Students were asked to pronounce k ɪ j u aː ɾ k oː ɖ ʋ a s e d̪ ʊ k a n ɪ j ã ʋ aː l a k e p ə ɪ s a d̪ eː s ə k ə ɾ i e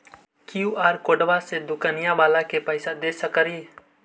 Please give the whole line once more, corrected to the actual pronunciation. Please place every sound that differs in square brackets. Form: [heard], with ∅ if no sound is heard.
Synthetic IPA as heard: k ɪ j u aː ɾ k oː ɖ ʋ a s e d̪ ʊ k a n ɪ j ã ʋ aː l a k e p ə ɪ s a d̪ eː s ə k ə ɾ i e